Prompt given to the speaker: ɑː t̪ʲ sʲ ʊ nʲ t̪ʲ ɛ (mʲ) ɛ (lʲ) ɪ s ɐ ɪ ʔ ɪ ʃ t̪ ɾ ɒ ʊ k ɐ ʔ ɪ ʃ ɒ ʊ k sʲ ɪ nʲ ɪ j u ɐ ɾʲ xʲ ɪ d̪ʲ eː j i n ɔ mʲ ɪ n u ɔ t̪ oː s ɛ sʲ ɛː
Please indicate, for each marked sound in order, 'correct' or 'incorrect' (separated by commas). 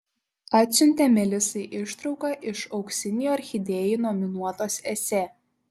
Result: correct, correct